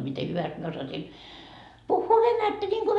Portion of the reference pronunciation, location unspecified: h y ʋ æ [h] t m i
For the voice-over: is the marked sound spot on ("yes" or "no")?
no